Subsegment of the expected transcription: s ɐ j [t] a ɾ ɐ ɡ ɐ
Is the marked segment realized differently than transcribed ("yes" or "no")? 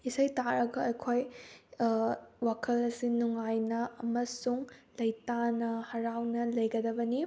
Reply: no